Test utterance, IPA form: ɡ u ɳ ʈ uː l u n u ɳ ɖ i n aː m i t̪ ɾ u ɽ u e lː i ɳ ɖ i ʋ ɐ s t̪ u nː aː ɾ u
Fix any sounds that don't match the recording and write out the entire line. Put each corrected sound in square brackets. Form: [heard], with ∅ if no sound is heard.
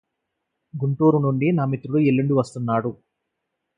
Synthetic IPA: ɡ u ɳ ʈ uː [ɾ] u n u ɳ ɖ i n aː m i t̪ ɾ u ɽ u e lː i ɳ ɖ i ʋ ɐ s t̪ u nː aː [ɽ] u